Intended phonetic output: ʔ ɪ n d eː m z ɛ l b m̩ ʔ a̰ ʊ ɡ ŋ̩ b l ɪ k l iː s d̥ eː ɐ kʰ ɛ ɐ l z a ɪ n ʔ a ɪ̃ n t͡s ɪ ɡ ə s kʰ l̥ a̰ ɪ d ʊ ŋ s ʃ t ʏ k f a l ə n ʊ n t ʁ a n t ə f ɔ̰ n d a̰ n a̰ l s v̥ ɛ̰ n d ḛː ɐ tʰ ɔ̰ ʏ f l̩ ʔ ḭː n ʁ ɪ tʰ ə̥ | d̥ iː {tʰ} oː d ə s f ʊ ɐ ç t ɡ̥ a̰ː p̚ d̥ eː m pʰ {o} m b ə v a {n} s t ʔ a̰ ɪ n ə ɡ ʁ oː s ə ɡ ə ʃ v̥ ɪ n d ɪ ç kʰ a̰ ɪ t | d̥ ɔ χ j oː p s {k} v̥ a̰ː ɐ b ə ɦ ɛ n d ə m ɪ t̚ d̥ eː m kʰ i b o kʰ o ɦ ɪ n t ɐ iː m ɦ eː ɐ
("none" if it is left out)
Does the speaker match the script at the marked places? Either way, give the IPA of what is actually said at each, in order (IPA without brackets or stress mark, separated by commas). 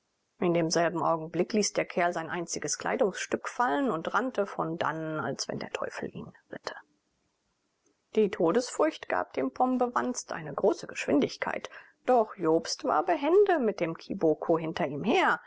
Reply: tʰ, ɔ, n, t